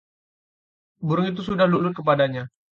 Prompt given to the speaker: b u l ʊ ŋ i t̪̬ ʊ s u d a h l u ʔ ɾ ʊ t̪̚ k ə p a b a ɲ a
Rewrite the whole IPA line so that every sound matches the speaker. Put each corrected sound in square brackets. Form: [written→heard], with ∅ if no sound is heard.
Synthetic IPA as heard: b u [l→ɾ] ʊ ŋ i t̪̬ [ʊ→u] s u d a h l u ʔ [ɾ→l] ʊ t̪̚ k ə p a [b→d] a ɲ a